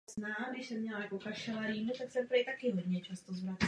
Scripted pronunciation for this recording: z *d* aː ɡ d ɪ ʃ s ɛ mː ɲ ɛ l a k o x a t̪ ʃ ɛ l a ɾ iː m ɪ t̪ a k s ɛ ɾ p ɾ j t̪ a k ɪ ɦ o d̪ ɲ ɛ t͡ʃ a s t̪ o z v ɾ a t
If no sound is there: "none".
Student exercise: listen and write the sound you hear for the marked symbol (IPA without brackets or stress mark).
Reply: n